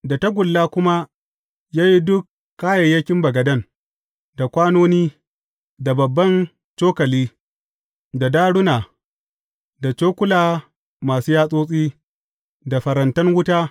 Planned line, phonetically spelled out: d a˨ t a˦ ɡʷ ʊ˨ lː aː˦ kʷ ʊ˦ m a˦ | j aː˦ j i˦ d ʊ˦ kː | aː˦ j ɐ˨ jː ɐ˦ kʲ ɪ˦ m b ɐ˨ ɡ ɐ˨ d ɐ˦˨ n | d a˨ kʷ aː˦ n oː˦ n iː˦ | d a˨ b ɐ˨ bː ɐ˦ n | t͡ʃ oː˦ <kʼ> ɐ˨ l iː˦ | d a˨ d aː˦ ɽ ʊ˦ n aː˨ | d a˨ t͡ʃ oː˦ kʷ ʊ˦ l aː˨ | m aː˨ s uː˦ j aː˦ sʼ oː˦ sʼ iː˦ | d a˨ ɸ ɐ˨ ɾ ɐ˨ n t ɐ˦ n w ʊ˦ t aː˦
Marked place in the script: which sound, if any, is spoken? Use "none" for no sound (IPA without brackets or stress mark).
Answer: k